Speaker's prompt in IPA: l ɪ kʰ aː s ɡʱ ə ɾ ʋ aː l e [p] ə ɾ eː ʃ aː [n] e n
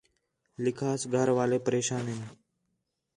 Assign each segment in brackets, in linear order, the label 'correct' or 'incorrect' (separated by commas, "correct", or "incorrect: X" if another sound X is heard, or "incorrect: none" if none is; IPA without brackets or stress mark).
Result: correct, correct